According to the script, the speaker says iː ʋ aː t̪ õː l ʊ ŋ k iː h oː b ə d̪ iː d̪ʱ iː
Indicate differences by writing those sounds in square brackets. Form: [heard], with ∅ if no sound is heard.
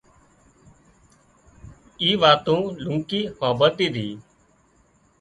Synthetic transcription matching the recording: iː ʋ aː t̪ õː l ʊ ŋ k iː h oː b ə [t̪] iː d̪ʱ iː